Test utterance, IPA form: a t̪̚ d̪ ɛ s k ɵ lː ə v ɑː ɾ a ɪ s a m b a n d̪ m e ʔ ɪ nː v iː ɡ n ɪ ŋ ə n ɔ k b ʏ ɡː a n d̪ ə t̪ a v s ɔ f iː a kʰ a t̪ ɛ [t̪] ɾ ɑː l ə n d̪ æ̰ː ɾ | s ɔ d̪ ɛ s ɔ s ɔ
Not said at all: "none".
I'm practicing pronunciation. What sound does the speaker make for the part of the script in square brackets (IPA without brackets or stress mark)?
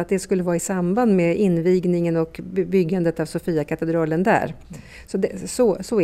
d̪